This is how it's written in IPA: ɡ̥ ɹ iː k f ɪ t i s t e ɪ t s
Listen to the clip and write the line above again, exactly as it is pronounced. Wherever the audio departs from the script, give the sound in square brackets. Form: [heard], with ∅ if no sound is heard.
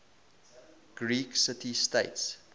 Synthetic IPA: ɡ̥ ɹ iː k [s] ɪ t i s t e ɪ t s